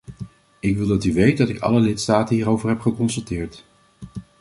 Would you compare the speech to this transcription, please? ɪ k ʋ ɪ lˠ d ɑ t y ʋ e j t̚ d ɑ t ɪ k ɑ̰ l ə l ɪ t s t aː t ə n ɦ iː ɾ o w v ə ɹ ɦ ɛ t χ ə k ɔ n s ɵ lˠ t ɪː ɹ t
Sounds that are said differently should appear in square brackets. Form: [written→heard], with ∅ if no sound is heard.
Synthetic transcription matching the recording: ɪ k ʋ ɪ lˠ d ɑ t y ʋ e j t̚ d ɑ t ɪ k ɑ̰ l ə l ɪ t s t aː t ə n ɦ iː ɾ o w v ə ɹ ɦ ɛ [t→p] χ ə k ɔ n s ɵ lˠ t ɪː ɹ t